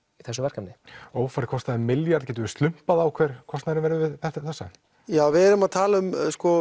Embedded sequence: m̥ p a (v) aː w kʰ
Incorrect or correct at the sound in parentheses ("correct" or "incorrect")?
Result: incorrect